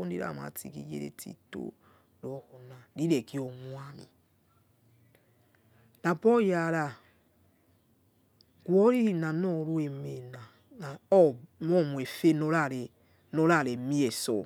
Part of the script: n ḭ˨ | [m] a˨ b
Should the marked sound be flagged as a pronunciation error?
yes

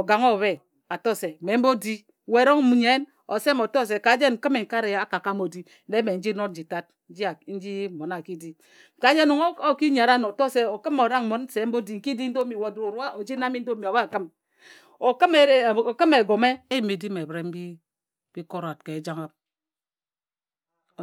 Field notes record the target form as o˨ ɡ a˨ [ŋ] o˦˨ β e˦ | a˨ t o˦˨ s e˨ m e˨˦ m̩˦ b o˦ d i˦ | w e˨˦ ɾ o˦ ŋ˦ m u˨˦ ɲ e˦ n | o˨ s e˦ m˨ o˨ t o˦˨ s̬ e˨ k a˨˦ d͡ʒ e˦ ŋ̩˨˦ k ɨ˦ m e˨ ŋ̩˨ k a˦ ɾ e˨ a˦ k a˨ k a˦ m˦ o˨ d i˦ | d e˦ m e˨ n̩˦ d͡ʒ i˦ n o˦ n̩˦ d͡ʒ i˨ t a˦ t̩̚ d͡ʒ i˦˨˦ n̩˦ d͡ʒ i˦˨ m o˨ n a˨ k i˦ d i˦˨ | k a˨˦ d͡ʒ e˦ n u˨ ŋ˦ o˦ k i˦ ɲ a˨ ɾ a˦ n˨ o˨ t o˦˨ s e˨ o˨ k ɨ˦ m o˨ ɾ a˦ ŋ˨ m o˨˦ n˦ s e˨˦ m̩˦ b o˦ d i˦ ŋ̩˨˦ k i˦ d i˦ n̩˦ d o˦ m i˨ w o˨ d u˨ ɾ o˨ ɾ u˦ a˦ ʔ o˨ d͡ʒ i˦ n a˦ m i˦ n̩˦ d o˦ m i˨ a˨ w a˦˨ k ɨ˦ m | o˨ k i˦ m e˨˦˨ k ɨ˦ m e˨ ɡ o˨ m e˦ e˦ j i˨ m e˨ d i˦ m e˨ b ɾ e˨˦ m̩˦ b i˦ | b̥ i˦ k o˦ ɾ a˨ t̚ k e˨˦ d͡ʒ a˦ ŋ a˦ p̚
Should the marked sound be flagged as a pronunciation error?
no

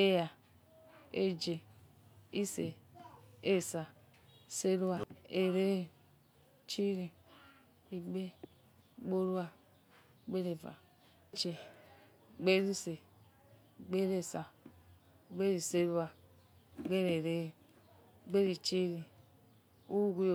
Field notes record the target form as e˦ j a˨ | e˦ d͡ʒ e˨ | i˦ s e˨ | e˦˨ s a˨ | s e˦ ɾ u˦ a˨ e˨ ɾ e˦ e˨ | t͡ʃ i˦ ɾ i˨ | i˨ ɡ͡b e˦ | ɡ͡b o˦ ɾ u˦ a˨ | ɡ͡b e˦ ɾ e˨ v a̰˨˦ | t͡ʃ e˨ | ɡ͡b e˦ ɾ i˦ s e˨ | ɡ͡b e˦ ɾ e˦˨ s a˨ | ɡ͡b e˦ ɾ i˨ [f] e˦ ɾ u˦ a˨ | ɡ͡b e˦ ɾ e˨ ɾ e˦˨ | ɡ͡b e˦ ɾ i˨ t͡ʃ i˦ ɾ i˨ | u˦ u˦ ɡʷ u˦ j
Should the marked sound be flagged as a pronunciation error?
yes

